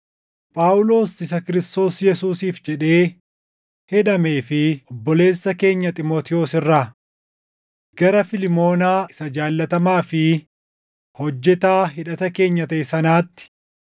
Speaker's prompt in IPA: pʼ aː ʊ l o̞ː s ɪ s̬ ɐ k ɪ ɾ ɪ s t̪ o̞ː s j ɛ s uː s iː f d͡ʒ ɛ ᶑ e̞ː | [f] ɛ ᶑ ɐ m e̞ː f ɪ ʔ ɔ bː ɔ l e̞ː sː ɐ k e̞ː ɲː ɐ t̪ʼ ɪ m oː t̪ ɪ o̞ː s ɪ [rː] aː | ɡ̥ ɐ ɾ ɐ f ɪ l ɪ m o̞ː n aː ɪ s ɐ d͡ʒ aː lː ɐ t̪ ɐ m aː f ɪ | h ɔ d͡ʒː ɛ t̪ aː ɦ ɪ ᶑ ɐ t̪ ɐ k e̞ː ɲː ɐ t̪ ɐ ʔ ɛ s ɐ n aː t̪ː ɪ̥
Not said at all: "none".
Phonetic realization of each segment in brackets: h, rː

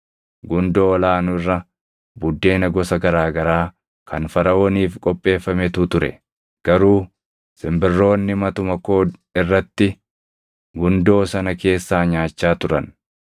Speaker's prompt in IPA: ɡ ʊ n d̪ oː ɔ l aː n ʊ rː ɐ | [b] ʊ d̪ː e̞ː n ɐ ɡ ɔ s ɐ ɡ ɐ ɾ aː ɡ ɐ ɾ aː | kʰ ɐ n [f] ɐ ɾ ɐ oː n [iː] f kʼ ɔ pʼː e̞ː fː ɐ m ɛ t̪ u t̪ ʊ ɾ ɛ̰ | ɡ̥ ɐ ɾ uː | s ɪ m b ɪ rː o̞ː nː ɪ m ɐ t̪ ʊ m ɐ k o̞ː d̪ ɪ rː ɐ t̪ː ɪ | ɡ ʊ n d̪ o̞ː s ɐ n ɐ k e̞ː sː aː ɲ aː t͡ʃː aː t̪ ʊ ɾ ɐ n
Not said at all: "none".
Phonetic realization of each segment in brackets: b, f, iː

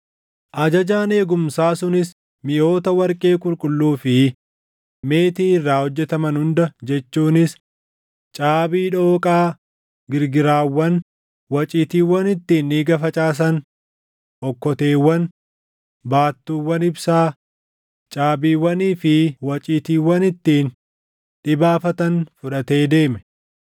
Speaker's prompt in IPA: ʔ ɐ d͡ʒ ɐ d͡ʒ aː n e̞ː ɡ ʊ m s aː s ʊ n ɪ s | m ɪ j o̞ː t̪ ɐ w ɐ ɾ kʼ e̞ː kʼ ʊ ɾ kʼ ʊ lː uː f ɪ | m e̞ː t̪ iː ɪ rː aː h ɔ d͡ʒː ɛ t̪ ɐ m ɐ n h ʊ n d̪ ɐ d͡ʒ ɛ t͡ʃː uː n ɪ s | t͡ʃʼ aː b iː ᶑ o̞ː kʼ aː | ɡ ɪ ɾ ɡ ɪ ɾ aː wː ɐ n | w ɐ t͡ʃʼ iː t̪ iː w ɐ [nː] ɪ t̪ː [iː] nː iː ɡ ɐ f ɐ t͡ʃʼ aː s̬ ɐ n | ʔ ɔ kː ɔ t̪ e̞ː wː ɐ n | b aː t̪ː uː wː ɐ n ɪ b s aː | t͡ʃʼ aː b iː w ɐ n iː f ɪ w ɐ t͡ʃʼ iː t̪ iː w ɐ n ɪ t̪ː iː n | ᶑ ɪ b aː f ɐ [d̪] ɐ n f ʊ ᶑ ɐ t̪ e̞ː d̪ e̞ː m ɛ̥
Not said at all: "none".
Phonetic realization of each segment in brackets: n, iː, t̪

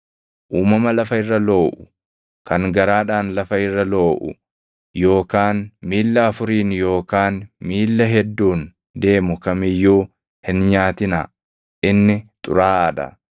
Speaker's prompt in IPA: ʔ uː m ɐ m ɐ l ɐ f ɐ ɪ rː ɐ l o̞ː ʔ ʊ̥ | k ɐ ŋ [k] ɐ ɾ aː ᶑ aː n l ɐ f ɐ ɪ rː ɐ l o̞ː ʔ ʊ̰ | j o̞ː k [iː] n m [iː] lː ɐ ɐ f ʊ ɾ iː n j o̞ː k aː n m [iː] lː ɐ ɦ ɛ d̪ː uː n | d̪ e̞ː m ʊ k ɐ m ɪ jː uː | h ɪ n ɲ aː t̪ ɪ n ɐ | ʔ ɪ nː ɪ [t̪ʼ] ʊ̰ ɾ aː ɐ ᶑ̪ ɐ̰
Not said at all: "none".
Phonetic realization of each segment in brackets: ɡ, aː, iː, iː, t̪ʼ

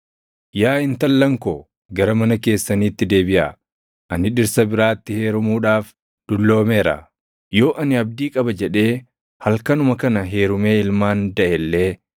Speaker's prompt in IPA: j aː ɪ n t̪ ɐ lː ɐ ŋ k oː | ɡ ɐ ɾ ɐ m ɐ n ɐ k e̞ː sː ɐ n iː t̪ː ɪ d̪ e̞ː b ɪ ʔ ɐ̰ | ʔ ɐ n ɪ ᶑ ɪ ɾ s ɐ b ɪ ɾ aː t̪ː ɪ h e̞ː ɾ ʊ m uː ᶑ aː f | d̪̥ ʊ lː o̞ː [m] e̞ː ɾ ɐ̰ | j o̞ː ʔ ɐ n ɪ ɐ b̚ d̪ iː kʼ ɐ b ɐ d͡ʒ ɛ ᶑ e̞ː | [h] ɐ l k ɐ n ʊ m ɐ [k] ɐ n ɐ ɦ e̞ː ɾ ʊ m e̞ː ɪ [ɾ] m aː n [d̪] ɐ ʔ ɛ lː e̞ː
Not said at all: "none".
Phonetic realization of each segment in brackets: m, h, k, l, d̪

